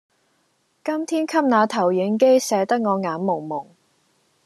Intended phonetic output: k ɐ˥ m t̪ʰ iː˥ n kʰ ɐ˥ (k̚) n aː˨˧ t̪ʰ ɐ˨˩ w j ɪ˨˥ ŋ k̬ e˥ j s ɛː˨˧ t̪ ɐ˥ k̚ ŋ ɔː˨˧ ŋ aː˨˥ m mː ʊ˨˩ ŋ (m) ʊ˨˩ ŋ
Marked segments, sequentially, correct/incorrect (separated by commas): incorrect, correct